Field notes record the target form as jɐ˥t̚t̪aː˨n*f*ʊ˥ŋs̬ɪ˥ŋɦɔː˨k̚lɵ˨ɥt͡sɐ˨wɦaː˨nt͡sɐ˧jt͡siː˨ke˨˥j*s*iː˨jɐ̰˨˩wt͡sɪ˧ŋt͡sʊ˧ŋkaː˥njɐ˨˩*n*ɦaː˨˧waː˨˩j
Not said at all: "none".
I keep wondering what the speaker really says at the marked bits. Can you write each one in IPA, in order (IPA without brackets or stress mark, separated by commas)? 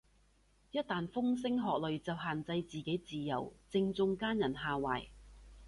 f, t͡s, n